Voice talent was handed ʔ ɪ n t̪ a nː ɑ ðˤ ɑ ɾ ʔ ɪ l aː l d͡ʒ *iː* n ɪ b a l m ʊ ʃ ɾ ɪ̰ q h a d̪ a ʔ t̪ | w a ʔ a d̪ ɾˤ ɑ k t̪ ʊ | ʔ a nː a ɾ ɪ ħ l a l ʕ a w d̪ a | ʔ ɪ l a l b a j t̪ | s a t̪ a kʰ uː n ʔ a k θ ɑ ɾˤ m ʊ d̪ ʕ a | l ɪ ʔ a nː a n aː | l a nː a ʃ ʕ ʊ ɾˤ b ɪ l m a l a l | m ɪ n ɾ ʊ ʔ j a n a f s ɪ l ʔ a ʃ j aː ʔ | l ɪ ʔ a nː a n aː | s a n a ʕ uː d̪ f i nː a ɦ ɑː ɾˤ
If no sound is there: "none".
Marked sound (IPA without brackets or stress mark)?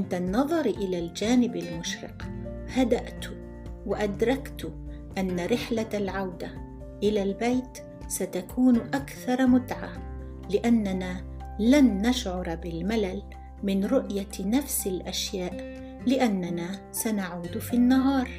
aː